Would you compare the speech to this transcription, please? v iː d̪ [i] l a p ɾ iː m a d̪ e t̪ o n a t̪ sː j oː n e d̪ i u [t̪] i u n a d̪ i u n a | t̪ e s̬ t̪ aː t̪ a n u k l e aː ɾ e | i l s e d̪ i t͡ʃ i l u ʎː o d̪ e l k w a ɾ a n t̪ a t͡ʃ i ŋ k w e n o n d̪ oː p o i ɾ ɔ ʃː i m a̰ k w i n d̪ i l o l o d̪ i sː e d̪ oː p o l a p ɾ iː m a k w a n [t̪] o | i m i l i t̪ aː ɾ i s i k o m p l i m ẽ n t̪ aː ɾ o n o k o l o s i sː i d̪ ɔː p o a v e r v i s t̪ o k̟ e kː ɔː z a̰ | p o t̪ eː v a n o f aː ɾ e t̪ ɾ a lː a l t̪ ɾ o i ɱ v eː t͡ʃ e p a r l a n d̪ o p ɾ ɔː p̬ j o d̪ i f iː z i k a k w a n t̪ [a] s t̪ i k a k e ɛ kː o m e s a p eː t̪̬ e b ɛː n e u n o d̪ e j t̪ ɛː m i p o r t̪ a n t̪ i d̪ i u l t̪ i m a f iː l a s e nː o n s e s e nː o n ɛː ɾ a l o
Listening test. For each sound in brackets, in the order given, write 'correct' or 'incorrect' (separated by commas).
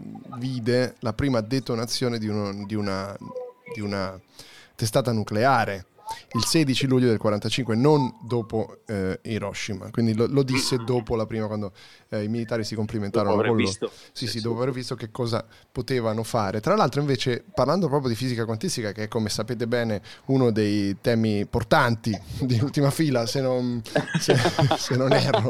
incorrect, incorrect, incorrect, incorrect